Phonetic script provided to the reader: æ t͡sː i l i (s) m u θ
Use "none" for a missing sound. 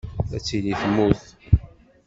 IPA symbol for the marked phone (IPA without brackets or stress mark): θ